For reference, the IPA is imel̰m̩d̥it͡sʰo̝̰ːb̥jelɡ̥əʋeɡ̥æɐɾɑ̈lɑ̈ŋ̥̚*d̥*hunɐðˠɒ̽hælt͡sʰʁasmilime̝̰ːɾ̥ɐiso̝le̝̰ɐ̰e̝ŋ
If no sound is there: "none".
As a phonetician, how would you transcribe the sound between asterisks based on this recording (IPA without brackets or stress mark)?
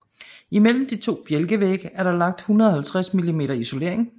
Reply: d̥